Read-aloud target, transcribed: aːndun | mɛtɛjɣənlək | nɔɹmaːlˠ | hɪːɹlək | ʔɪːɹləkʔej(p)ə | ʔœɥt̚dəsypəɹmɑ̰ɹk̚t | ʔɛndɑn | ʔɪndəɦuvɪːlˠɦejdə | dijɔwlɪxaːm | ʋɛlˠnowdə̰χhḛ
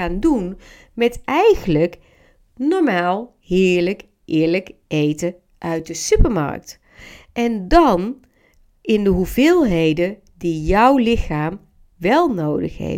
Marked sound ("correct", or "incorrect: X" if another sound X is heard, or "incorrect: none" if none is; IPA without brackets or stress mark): incorrect: t